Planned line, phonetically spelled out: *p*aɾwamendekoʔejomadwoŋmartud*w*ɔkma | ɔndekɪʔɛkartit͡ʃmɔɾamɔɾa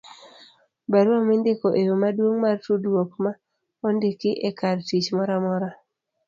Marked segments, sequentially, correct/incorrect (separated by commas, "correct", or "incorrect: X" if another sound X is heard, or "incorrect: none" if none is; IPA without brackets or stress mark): incorrect: b, correct